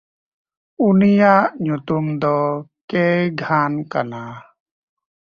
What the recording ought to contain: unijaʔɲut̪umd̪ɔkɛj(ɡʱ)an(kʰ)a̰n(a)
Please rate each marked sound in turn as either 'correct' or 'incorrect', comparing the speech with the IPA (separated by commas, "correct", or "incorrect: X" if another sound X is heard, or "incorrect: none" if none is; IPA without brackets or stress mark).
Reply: correct, incorrect: k, correct